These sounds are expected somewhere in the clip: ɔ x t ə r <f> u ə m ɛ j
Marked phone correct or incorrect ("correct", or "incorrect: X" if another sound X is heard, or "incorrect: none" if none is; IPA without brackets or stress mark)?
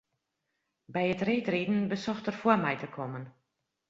correct